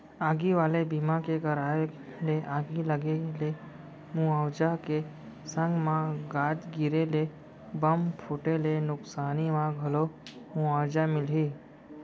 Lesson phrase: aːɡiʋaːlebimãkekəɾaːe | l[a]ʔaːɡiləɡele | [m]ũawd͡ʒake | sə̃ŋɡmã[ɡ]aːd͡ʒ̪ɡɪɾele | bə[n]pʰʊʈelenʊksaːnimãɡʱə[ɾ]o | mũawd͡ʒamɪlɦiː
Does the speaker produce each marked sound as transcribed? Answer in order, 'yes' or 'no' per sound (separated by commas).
no, yes, yes, no, no